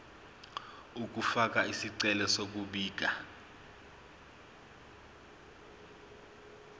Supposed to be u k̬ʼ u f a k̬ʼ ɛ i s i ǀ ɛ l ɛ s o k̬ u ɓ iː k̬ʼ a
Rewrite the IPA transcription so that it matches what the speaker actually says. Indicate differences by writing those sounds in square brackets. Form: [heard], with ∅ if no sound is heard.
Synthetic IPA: u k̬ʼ u f a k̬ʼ [a] i s i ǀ ɛ l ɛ s o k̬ u ɓ iː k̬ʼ a